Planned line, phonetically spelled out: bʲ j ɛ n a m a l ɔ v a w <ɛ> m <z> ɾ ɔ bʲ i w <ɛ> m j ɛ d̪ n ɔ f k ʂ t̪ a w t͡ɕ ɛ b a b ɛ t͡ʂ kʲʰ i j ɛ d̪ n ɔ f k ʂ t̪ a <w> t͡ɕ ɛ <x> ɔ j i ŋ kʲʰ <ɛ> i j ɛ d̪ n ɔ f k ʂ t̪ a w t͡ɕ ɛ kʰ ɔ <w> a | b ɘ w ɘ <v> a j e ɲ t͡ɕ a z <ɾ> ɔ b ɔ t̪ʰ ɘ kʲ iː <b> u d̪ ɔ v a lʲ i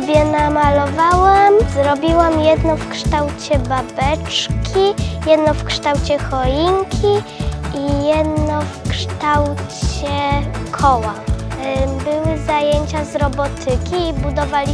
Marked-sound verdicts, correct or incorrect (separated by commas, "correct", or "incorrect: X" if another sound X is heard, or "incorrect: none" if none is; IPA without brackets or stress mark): incorrect: a, correct, incorrect: a, correct, correct, incorrect: i, correct, incorrect: z, correct, correct